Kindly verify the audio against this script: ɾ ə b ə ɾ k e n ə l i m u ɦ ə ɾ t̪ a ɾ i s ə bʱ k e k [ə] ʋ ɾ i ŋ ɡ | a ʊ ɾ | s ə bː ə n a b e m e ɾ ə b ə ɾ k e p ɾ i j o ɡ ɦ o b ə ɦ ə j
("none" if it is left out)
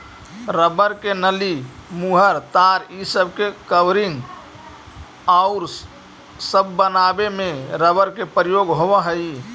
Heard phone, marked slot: ə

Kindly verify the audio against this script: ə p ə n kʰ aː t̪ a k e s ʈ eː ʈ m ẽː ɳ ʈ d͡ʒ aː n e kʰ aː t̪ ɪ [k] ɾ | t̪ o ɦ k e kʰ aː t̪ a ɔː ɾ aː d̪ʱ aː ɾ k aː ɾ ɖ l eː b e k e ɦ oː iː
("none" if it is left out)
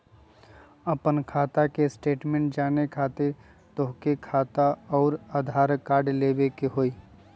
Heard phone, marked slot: none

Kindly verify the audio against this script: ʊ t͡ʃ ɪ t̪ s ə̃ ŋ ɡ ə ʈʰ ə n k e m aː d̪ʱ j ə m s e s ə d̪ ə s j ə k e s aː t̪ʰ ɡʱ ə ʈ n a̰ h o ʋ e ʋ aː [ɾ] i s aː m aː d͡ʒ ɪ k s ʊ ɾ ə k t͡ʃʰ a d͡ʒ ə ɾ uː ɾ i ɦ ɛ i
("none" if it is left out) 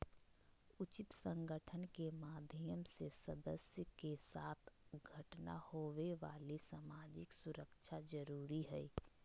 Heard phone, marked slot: l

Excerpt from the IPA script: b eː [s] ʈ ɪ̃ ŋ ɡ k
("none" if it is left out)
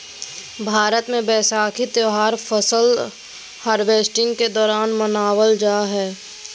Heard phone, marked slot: s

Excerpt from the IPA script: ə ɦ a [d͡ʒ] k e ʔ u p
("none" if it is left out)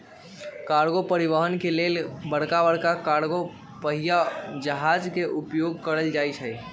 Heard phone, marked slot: d͡ʒ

